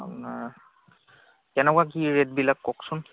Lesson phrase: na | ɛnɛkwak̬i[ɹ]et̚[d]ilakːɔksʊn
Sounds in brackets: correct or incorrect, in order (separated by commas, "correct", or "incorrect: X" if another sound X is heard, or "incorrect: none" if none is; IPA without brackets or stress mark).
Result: correct, incorrect: b